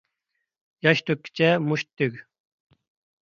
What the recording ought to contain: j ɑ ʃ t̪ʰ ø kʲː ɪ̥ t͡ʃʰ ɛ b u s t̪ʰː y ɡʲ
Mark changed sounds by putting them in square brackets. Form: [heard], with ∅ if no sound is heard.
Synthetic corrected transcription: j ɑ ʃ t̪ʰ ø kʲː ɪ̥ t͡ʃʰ ɛ [m] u [ʃ] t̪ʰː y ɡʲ